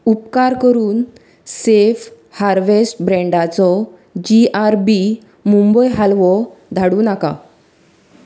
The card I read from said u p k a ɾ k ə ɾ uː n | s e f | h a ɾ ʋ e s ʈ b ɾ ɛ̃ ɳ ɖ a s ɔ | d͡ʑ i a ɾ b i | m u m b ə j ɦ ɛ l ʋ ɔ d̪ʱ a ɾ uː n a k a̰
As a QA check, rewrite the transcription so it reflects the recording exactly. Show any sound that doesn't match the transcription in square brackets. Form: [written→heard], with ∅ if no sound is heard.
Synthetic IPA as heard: u p k a ɾ k ə ɾ uː n | s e f | h a ɾ ʋ e s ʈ b ɾ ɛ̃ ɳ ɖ a [s→t͡s] ɔ | d͡ʑ i a ɾ b i | m u m b ə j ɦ [ɛ→a] l ʋ ɔ d̪ʱ a [ɾ→ɽ] uː n a k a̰